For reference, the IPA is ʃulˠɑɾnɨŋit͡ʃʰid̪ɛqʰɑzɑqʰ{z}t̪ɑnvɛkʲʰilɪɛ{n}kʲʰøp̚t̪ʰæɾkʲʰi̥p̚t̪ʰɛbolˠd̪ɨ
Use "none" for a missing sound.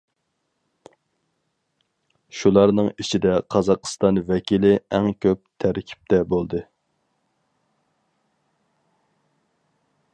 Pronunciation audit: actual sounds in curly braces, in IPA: s, ŋ

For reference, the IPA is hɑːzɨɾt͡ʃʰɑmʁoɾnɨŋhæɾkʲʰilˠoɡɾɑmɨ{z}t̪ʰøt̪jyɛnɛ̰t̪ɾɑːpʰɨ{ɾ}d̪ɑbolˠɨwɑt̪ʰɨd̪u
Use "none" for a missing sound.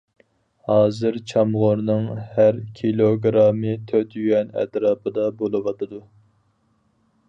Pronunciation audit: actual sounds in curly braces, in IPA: none, none

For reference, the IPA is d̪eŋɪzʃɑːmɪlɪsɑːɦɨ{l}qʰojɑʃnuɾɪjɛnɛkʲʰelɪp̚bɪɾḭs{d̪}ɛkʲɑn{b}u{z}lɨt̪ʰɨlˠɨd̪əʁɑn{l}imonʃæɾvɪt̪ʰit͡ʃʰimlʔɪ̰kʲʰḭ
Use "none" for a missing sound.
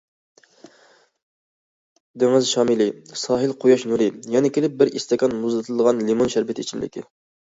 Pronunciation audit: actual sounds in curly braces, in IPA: l, t̪, m, z, l

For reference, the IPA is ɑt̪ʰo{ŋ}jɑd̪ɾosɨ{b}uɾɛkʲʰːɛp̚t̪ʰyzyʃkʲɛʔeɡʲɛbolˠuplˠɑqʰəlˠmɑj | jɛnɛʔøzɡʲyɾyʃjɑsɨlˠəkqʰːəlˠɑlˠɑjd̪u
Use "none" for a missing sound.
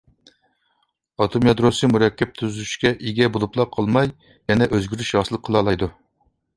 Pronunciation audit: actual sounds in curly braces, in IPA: m, m

